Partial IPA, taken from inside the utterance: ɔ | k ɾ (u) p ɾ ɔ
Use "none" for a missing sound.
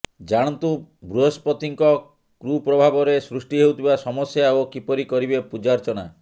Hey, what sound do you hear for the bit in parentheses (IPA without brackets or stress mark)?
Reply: u